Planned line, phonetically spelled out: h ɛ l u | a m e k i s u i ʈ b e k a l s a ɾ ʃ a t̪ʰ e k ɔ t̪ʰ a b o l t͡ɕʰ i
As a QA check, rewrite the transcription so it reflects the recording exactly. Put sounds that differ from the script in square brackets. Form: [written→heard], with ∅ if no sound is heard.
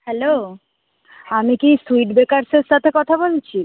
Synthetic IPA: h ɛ l [u→o] | a m [e→i] k i s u i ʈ b e k a [l→ɾ] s [a→e] ɾ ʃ a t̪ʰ e k ɔ t̪ʰ a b o l t͡ɕʰ i